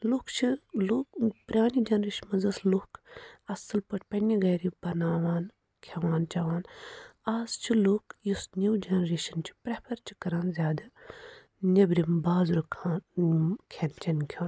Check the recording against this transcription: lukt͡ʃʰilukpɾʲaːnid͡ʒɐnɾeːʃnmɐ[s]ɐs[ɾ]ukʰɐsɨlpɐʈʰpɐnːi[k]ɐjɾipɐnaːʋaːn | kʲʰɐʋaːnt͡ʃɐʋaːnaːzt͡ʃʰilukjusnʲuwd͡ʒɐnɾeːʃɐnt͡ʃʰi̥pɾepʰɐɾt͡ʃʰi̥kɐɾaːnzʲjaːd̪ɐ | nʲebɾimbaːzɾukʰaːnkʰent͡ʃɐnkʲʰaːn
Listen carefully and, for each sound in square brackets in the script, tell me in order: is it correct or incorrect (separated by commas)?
incorrect, incorrect, incorrect